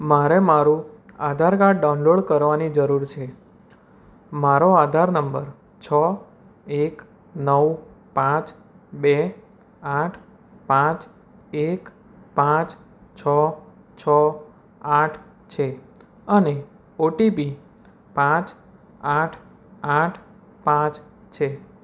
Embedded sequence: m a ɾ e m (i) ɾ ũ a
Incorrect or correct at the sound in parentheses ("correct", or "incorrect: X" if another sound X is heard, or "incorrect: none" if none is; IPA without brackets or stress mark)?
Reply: incorrect: a